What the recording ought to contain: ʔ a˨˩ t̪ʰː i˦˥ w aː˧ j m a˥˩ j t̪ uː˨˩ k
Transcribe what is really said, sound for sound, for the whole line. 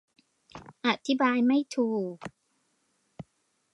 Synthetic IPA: ʔ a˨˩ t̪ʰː i˦˥ b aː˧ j m a˥˩ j t̪ʰ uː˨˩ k